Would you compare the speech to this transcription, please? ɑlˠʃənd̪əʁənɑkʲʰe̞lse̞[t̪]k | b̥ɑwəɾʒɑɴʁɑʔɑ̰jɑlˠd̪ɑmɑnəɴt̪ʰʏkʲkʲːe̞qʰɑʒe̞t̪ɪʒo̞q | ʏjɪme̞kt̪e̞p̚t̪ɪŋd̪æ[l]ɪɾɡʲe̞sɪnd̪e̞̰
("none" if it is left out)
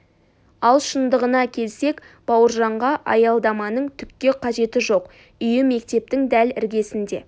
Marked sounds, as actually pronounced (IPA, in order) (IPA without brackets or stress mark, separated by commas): none, l